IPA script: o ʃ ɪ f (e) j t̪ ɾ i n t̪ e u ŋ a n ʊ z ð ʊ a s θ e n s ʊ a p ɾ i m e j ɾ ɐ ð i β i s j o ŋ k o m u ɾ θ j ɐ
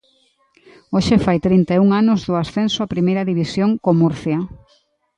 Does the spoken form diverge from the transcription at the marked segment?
yes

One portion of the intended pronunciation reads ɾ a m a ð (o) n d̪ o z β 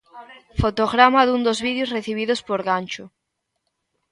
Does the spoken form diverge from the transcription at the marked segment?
yes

